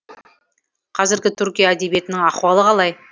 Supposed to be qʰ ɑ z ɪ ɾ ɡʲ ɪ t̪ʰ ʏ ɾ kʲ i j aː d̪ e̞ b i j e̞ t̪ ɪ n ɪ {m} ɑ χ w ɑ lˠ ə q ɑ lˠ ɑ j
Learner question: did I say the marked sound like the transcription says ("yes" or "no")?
no